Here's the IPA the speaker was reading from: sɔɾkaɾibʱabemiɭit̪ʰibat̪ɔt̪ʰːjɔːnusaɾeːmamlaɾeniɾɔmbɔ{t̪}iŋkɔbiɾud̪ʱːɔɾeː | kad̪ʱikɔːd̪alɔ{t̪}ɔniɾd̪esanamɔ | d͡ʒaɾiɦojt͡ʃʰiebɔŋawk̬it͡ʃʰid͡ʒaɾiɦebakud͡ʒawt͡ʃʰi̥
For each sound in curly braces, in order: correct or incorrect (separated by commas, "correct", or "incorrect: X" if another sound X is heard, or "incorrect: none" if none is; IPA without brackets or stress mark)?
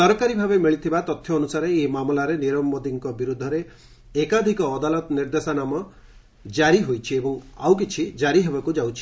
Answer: incorrect: d̪, correct